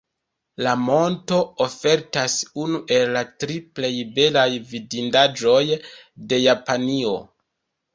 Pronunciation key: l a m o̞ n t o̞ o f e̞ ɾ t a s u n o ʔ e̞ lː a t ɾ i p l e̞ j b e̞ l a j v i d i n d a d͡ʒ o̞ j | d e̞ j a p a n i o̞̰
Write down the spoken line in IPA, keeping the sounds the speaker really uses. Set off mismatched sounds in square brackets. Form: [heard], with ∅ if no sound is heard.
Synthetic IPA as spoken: l a m o̞ n t o̞ o f e̞ ɾ t a s u n [u] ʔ e̞ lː a t ɾ i p l e̞ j b e̞ l a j v i d i n d a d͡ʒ o̞ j | d e̞ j a p a n i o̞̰

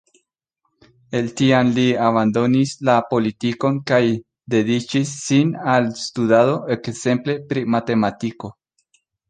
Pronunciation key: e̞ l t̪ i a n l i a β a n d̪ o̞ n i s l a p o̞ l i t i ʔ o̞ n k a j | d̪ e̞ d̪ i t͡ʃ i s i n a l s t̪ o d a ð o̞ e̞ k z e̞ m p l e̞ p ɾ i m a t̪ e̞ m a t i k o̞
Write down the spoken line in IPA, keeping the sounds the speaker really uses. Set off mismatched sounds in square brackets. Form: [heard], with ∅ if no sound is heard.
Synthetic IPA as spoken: e̞ l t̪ i a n l i a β a n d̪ o̞ n i s l a p o̞ l i t i [k] o̞ n k a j | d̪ e̞ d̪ i t͡ʃ i [sː] i n a l s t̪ [u] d a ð o̞ e̞ k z e̞ m p l e̞ p ɾ i m a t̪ e̞ m a t i k o̞

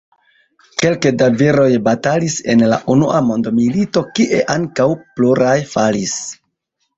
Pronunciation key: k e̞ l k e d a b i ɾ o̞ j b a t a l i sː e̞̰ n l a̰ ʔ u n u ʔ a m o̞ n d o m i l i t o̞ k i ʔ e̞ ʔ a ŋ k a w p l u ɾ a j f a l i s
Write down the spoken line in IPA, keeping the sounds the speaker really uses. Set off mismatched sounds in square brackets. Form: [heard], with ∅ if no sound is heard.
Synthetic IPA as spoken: k e̞ l k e d a [v] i ɾ o̞ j b a t a l i [s] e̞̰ n l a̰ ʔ u n u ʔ a m o̞ n d o m i l i t o̞ k i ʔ e̞ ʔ a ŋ k a w p l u ɾ a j f a l i s

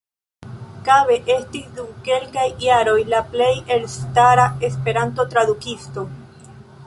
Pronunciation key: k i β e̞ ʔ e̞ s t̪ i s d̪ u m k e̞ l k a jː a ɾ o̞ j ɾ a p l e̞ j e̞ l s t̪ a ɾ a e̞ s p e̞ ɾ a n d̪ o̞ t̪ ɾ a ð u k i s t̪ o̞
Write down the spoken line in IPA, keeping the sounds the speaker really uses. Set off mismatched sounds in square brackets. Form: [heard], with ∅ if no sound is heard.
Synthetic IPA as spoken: k [a] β e̞ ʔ e̞ s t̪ i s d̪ u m k e̞ l k a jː a ɾ o̞ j [l] a p l e̞ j e̞ l s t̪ a ɾ a e̞ s p e̞ ɾ a n [t̪] o̞ t̪ ɾ a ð u k i s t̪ o̞

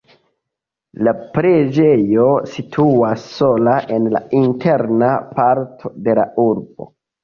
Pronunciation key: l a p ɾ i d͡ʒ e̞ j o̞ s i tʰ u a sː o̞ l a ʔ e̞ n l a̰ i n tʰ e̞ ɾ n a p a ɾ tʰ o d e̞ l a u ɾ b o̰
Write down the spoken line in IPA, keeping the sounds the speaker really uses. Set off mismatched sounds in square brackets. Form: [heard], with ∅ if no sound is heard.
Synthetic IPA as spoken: l a p ɾ [e] d͡ʒ e̞ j o̞ s i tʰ u a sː o̞ l a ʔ e̞ n l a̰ i n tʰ e̞ ɾ n a p a ɾ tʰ o d e̞ l a u ɾ b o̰

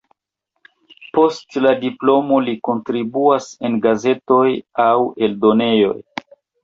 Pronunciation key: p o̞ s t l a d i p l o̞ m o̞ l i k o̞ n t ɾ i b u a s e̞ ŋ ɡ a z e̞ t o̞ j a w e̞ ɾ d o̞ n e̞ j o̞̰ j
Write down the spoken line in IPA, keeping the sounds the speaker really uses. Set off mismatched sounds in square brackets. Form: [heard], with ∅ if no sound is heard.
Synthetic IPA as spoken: p o̞ s t l a d i p l o̞ m o̞ l i k o̞ n t ɾ i b u a s e̞ [n] ɡ a z e̞ t o̞ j a w e̞ [l] d o̞ n e̞ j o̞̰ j

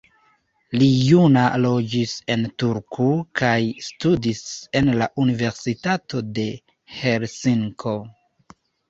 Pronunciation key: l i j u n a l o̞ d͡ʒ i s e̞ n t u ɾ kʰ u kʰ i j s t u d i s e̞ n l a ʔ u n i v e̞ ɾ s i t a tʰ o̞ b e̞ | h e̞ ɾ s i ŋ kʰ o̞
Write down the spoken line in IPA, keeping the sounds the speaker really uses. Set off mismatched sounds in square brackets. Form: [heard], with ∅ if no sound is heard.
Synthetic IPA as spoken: l i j u n a l o̞ d͡ʒ i s e̞ n t u ɾ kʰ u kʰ [a] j s t u d i s e̞ n l a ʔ u n i v e̞ ɾ s i t a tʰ o̞ [d] e̞ | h e̞ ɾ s i ŋ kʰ o̞

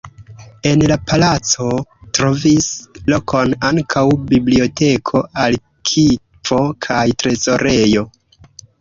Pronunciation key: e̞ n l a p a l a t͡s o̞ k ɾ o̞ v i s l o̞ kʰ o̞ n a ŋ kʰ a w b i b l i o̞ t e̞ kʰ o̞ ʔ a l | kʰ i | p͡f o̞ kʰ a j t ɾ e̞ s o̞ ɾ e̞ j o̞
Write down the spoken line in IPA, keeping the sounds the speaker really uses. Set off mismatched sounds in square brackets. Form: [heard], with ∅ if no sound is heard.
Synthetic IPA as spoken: e̞ n l a p a l a t͡s o̞ [t] ɾ o̞ v i s l o̞ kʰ o̞ n a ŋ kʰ a w b i b l i o̞ t e̞ kʰ o̞ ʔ a l | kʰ i | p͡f o̞ kʰ a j t ɾ e̞ [z] o̞ ɾ e̞ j o̞

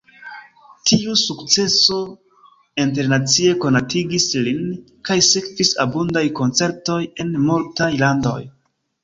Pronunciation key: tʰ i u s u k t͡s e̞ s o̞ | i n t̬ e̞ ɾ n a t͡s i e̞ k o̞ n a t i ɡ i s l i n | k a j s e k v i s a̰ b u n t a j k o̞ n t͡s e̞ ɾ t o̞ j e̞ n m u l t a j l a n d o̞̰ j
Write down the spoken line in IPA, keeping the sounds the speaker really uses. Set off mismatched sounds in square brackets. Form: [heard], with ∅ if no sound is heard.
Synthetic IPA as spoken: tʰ i u s u k t͡s e̞ s o̞ | i n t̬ e̞ ɾ n a t͡s i e̞ k o̞ n a t i ɡ i s l i n | k a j s e k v i s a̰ b u n [d] a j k o̞ n t͡s e̞ ɾ t o̞ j e̞ n m u l t a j l a n d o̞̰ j

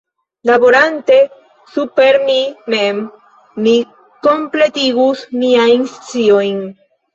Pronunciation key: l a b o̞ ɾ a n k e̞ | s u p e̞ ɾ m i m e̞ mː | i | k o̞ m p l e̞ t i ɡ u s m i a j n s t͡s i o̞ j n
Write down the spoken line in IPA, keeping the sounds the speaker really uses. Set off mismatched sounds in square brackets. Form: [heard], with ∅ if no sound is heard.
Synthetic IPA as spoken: l a b o̞ ɾ a n [t] e̞ | s u p e̞ ɾ m i m e̞ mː | i | k o̞ m p l e̞ t i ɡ u s m i a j n s t͡s i o̞ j n

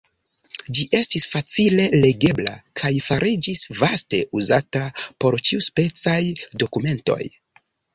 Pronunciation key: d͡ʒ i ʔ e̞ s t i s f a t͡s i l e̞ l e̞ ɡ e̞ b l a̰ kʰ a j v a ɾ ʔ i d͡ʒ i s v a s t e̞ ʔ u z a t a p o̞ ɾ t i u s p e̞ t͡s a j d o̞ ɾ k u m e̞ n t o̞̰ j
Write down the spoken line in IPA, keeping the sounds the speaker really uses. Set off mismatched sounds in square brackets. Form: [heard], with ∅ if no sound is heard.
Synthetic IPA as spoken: d͡ʒ i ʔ e̞ s t i s f a t͡s i l e̞ l e̞ ɡ e̞ b l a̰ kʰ a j [f] a ɾ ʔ i d͡ʒ i s v a s t e̞ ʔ u z a t a p o̞ ɾ [t͡ʃ] i u s p e̞ t͡s a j d o̞ [∅] k u m e̞ n t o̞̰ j

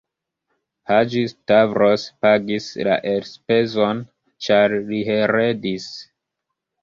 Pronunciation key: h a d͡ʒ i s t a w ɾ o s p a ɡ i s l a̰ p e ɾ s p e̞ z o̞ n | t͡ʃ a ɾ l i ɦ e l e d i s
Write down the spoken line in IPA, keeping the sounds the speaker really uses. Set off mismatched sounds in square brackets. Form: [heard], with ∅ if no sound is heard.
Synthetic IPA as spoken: h a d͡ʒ i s t a [v] ɾ o s p a ɡ i s l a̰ [ʔ] e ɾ s p e̞ z o̞ n | t͡ʃ a ɾ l i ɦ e [ɾ] e d i s

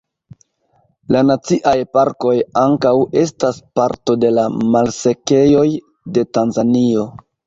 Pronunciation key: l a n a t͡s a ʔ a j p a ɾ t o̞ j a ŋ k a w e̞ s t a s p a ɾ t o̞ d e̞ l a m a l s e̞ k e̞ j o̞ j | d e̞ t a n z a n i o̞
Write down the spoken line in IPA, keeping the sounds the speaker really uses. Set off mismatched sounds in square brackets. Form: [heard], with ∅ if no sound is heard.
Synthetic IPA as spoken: l a n a t͡s [i] ʔ a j p a ɾ [k] o̞ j a ŋ k a w e̞ s t a s p a ɾ t o̞ d e̞ l a m a l s e̞ k e̞ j o̞ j | d e̞ t a n z a n i o̞

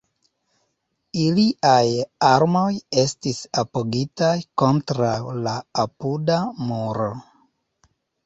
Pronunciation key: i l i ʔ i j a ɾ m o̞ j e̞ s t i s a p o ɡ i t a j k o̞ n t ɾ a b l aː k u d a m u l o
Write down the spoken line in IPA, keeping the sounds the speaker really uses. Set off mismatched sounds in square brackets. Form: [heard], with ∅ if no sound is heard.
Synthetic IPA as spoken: i l i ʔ [a] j a ɾ m o̞ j e̞ s t i s a p o ɡ i t a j k o̞ n t ɾ a [w] l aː [p] u d a m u [ɾ] o

